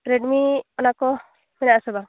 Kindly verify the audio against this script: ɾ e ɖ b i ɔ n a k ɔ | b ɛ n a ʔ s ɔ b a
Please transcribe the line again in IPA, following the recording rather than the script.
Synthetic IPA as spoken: ɾ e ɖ m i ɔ n a k ɔ | m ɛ n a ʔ s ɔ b a